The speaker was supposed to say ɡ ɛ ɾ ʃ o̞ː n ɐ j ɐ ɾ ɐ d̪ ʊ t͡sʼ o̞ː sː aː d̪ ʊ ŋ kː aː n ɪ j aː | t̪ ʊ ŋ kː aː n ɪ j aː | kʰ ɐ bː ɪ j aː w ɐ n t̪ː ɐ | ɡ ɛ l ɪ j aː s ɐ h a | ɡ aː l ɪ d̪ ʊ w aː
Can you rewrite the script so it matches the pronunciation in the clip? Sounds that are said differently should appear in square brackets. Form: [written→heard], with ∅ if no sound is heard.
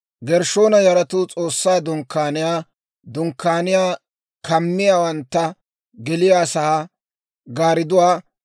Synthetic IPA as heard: ɡ ɛ ɾ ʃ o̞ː n ɐ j ɐ ɾ ɐ [d̪→t̪] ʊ t͡sʼ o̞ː sː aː d̪ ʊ ŋ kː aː n ɪ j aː | [t̪→d̪] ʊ ŋ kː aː n ɪ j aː | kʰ ɐ [bː→mː] ɪ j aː w ɐ n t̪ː ɐ | ɡ ɛ l ɪ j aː s ɐ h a | ɡ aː [l→ɾ] ɪ d̪ ʊ w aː